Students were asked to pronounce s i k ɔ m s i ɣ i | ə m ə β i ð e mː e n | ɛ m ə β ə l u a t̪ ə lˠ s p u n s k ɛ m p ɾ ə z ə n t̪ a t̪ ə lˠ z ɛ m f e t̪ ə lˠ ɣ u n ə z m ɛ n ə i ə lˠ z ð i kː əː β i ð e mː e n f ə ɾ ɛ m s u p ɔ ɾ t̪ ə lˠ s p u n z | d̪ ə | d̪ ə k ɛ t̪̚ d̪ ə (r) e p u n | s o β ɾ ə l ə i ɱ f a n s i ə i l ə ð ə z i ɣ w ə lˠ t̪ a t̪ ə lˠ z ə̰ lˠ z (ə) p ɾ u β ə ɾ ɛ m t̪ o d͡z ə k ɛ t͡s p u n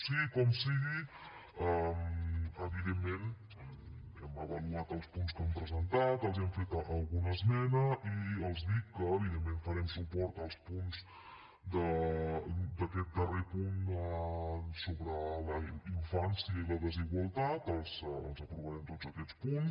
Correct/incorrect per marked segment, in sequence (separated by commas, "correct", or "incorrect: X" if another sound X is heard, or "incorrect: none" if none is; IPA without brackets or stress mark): correct, correct